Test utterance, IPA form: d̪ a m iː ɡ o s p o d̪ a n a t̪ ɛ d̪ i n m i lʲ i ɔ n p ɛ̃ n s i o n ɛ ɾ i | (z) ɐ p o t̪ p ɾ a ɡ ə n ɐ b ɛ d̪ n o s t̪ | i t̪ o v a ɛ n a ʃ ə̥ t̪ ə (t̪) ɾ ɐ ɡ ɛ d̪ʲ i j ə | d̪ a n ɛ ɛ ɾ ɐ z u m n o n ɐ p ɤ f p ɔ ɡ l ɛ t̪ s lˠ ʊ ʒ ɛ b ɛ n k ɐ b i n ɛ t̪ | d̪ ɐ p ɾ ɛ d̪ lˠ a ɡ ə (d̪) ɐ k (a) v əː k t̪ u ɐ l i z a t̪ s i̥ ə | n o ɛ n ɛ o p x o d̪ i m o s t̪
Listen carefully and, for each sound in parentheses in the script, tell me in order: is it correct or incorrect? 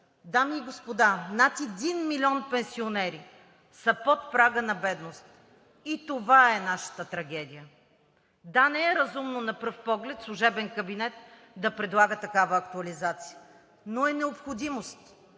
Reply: incorrect, correct, incorrect, correct

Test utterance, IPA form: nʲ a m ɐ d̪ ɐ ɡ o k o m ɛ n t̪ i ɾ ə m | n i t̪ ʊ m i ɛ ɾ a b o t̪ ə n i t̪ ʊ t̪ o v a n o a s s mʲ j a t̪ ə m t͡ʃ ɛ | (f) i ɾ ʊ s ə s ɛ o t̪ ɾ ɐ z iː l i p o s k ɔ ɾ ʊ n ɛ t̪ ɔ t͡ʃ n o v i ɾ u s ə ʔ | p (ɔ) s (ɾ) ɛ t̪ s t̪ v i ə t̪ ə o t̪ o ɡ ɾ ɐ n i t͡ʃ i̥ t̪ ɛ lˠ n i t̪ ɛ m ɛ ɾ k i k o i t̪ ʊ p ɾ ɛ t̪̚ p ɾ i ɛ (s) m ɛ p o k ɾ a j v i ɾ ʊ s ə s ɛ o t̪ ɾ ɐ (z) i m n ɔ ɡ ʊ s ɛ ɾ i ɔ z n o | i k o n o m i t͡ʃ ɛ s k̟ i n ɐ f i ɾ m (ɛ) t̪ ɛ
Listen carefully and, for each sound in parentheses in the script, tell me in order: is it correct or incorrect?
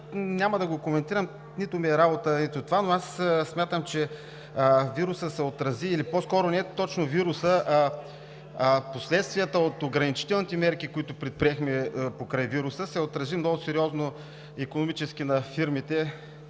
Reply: incorrect, incorrect, incorrect, incorrect, correct, incorrect

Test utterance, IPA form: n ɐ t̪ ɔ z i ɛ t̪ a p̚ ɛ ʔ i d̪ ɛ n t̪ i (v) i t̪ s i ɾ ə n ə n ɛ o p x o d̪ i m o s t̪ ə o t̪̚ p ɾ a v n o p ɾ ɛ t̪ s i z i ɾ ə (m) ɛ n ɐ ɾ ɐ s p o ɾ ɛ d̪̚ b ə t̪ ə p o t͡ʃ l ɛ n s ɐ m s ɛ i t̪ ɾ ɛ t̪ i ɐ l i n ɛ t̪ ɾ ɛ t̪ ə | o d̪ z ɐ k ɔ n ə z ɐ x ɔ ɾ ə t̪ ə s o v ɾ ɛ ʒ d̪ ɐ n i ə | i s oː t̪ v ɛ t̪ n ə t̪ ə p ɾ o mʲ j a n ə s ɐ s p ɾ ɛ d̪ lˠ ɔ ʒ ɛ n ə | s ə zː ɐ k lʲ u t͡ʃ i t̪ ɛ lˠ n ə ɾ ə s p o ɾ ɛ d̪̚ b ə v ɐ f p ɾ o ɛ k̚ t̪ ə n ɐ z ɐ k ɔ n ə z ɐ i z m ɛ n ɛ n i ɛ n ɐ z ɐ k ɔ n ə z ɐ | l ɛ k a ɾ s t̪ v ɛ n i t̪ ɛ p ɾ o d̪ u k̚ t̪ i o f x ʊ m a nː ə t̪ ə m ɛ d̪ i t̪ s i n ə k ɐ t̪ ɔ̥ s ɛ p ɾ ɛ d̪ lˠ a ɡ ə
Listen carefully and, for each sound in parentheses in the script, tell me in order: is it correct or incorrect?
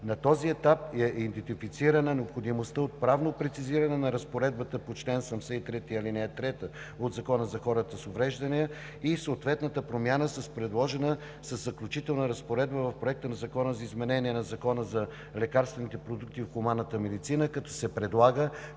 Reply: incorrect, incorrect

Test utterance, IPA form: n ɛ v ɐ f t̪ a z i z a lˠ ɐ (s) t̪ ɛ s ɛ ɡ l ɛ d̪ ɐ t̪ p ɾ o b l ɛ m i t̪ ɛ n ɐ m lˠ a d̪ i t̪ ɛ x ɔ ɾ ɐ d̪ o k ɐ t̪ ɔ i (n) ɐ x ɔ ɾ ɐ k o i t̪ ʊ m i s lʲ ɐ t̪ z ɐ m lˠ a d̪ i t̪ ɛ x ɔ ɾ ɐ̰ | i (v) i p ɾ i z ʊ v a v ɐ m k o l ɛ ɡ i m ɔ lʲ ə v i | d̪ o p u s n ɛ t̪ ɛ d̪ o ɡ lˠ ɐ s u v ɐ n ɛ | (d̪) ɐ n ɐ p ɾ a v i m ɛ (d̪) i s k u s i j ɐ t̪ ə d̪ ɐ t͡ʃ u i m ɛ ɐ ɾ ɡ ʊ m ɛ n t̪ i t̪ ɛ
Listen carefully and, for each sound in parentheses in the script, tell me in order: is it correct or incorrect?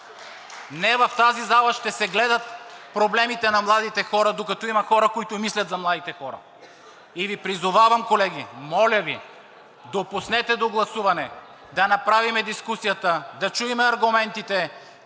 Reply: incorrect, incorrect, correct, correct, correct

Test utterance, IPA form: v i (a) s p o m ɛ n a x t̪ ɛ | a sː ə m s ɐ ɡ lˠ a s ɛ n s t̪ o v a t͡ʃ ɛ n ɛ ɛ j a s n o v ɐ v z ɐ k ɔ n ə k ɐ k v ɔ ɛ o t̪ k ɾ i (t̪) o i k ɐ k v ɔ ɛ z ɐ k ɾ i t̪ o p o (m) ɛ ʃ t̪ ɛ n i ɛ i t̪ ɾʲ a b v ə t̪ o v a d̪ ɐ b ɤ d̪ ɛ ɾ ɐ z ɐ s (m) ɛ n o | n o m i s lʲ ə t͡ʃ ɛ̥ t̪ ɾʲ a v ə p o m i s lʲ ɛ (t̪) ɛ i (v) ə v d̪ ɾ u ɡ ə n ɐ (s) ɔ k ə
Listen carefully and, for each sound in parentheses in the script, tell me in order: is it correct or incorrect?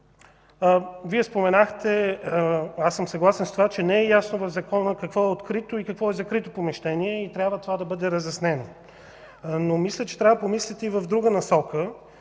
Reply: incorrect, correct, correct, incorrect, correct, correct, correct

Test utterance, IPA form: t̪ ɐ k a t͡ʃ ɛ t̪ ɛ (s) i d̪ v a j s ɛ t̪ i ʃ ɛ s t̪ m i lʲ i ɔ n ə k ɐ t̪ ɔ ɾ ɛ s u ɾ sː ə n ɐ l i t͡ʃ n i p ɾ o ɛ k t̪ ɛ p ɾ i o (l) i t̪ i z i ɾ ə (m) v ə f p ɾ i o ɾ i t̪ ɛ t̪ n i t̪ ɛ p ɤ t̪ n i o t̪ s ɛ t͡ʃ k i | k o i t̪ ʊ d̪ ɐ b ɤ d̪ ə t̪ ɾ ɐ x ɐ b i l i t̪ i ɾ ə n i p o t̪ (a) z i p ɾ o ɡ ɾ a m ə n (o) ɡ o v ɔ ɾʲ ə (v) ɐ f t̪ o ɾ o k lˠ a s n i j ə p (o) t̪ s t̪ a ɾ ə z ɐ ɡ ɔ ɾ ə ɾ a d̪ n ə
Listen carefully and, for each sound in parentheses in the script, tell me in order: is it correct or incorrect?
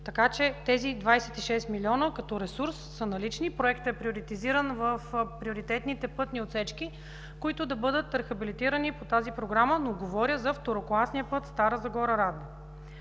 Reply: incorrect, incorrect, incorrect, correct, correct, incorrect, incorrect

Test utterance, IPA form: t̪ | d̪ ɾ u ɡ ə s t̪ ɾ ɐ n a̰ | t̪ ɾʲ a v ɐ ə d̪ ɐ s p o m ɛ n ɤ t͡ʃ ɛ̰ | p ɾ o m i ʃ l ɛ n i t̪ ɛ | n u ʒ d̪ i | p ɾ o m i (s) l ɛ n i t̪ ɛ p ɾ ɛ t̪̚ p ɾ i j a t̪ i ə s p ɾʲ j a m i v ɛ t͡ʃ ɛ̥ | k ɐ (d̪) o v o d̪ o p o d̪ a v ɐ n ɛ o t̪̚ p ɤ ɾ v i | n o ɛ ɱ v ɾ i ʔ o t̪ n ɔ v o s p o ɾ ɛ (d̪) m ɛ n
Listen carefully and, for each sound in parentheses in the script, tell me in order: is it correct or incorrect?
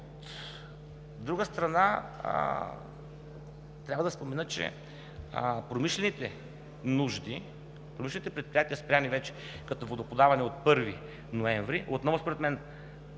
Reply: incorrect, incorrect, incorrect

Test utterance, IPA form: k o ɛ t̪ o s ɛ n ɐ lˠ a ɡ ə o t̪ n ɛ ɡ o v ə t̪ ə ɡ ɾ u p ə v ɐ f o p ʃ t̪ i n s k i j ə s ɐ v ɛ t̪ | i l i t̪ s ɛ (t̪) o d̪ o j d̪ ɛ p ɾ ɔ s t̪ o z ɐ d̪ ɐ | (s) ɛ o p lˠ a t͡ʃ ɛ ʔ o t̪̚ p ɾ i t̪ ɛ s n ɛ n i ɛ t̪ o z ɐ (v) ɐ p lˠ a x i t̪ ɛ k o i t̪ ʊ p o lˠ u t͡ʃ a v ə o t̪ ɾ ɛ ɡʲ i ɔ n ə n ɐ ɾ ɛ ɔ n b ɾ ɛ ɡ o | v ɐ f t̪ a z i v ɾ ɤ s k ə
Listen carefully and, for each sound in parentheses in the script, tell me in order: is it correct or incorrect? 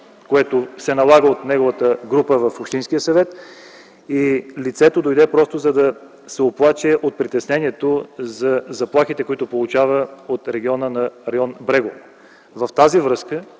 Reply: correct, correct, incorrect

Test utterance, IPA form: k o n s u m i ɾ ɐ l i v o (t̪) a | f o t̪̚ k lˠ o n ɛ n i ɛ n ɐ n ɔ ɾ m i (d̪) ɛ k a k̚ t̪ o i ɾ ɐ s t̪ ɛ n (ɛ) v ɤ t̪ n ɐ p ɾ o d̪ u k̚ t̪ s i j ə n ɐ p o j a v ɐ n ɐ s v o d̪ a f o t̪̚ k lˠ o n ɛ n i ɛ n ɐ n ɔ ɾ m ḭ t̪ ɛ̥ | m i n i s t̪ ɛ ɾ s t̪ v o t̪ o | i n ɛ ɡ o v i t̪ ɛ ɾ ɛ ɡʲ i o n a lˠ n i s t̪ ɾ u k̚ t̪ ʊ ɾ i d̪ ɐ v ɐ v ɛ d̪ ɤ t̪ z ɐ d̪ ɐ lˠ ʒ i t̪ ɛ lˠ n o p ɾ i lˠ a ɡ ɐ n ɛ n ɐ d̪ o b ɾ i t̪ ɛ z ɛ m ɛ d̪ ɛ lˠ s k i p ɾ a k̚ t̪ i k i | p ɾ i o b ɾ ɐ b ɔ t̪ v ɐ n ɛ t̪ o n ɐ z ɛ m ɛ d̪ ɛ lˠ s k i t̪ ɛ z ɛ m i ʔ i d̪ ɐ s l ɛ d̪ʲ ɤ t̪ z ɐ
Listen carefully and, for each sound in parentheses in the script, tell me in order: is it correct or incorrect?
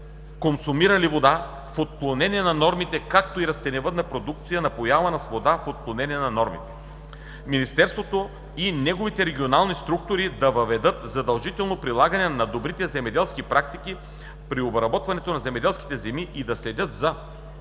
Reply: incorrect, incorrect, correct

